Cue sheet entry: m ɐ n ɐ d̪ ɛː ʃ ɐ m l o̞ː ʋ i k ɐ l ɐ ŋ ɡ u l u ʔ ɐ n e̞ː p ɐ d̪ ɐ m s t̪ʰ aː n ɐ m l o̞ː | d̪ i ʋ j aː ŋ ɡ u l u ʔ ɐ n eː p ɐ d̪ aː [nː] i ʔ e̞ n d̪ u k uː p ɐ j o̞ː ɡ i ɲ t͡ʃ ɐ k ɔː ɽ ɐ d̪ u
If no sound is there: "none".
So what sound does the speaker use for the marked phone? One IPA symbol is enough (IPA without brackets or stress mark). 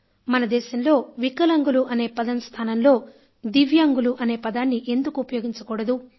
nː